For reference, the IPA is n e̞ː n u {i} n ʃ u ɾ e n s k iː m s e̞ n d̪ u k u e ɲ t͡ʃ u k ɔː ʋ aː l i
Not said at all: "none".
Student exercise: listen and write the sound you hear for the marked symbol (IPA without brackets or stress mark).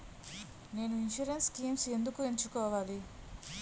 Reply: i